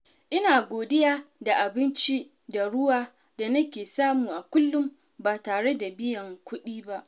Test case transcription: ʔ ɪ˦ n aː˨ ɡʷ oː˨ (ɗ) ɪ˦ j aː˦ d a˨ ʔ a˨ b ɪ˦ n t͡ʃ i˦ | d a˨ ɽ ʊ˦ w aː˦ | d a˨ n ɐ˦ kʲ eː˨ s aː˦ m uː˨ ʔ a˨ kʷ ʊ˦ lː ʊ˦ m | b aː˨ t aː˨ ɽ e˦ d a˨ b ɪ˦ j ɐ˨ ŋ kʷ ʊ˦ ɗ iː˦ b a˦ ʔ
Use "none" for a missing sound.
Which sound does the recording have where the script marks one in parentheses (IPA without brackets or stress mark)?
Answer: d